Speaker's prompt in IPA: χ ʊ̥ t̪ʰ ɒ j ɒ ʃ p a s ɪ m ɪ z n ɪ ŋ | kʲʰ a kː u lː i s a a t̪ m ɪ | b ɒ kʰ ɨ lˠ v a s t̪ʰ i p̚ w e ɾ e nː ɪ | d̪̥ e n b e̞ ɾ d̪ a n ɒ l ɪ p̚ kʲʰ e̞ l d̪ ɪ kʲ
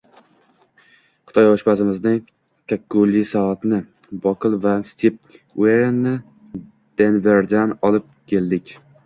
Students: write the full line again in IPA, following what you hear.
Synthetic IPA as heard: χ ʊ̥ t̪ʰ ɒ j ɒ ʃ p a s ɪ m ɪ z n ɪ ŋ | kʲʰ a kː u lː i s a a t̪ n ɪ | b ɒ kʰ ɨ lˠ v a s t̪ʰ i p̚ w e ɾ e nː ɪ | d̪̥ e n v e̞ ɾ d̪ a n ɒ l ɪ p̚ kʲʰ e̞ l d̪ ɪ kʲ